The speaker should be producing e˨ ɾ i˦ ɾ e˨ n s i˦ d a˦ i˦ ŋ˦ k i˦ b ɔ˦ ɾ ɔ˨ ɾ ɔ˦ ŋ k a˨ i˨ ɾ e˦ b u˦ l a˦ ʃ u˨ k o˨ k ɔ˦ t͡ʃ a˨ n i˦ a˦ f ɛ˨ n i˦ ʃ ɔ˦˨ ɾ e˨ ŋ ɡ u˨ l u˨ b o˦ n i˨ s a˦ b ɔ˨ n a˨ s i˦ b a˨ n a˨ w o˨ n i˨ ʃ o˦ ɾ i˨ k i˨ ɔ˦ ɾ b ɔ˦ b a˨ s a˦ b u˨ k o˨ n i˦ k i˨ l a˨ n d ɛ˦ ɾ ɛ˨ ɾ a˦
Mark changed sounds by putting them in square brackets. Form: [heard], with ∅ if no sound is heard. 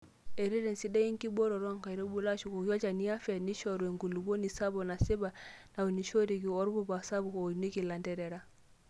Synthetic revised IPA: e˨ ɾ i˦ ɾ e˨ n s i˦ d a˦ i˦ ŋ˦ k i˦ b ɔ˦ ɾ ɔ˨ ɾ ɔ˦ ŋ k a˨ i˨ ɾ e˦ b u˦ l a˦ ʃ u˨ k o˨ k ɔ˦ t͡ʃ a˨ n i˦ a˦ f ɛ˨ n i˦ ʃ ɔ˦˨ ɾ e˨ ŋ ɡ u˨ l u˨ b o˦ n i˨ s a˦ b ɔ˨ n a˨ s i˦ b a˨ n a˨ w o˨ n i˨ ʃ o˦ ɾ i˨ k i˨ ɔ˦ ɾ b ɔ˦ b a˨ s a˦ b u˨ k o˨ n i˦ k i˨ l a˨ n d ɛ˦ ɾ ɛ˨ ɾ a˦